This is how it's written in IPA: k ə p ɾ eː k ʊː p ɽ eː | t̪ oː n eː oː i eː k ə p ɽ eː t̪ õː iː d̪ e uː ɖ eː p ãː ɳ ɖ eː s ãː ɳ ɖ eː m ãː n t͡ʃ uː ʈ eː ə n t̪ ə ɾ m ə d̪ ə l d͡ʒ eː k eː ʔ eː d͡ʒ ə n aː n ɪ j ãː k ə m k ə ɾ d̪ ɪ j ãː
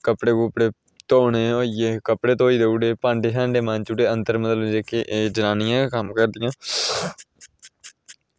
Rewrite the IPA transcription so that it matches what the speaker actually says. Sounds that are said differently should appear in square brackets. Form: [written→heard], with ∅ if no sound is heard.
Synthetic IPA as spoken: k ə p [ɾ→ɽ] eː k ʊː p ɽ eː | t̪ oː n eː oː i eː k ə p ɽ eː t̪ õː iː d̪ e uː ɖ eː p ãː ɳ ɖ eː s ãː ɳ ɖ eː m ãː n t͡ʃ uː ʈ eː ə n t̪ ə ɾ m ə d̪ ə l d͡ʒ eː k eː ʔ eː d͡ʒ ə n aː n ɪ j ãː k ə m k ə ɾ d̪ ɪ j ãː